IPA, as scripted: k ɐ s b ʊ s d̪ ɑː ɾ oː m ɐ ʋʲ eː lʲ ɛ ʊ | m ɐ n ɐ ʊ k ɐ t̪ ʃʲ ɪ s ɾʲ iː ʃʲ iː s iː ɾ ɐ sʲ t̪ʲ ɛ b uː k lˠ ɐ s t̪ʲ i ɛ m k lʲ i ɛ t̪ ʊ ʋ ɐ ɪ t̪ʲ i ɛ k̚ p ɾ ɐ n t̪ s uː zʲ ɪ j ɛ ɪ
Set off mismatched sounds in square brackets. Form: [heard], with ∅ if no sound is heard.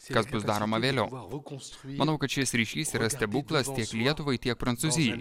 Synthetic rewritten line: k ɐ s b ʊ s d̪ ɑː ɾ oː m ɐ ʋʲ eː lʲ ɛ ʊ | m ɐ n ɐ ʊ k ɐ t̪ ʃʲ ɪ s ɾʲ iː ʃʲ iː s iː ɾ ɐ sʲ t̪ʲ ɛ b uː k lˠ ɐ s t̪ʲ i ɛ [∅] k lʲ i ɛ t̪ ʊ ʋ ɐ ɪ t̪ʲ i ɛ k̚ p ɾ ɐ n t̪ s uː zʲ ɪ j ɛ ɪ